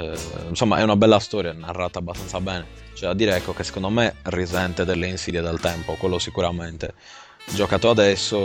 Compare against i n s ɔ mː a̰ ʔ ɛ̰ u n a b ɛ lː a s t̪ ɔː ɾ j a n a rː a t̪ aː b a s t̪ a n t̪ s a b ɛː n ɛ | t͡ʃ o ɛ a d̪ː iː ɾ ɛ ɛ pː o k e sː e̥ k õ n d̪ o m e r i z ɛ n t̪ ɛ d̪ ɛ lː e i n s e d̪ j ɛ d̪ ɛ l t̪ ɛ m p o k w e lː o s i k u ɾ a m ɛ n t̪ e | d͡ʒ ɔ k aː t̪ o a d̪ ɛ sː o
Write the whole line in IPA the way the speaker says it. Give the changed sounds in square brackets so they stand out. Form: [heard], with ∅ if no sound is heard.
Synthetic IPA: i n s ɔ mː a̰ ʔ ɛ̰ u n a b ɛ lː a s t̪ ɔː ɾ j a n a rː a t̪ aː b a s t̪ a n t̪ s a b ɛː n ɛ | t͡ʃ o ɛ a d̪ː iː ɾ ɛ ɛ [kː] o k e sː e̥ k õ n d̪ o m e r i z ɛ n t̪ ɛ d̪ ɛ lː e i n s [i] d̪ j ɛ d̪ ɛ l t̪ ɛ m p o k w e lː o s i k u ɾ a m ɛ n t̪ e | d͡ʒ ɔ k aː t̪ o a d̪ ɛ sː o